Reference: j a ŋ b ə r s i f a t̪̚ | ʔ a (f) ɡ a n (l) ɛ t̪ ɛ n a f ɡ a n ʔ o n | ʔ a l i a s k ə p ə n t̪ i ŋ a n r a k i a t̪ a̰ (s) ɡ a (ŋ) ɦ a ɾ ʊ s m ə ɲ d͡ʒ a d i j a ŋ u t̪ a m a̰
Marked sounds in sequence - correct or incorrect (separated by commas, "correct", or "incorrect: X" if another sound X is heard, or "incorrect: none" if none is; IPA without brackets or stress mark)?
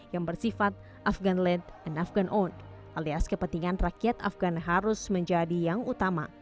correct, correct, incorrect: f, incorrect: n